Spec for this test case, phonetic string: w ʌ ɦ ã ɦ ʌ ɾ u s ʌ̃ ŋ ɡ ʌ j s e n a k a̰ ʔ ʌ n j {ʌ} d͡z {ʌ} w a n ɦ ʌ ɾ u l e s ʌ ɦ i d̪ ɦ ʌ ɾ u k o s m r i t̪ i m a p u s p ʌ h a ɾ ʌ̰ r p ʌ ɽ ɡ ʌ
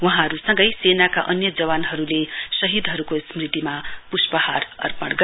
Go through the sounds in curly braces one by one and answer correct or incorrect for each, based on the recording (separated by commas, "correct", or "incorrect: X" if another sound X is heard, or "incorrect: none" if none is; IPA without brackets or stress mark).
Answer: correct, correct